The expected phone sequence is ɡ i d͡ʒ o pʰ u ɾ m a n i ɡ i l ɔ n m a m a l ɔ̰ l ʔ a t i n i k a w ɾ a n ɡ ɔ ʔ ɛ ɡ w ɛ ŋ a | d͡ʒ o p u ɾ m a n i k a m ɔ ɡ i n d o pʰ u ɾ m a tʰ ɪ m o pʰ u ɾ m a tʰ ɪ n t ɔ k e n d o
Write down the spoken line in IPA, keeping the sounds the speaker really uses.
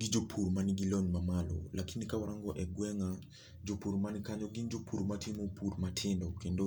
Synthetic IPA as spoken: ɡ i d͡ʒ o pʰ u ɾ m a n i ɡ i l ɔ n m a m a l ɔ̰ l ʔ a k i n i k a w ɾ a ŋ ɡ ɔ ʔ ɛ ɡ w ɛ ŋ a | d͡ʒ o p u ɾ m a n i k a ɲ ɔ ɡ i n d͡ʒ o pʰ u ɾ m a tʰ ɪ m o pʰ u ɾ m a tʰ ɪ n d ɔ k e n d o

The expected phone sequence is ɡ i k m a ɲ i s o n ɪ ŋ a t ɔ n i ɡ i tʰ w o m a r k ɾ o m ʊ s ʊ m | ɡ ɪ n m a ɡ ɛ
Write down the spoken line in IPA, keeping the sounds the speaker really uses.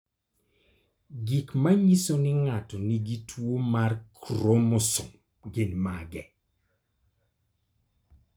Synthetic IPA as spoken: ɡ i k m a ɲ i s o n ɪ ŋ a t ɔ n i ɡ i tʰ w o m a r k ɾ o m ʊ s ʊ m | ɡ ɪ n m a ɡ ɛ

